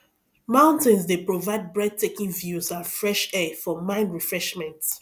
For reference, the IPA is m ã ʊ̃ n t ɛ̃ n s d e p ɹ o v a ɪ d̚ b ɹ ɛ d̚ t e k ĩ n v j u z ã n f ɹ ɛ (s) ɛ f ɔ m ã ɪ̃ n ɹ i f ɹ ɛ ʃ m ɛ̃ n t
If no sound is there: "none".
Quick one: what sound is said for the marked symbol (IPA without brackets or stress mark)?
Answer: ʃ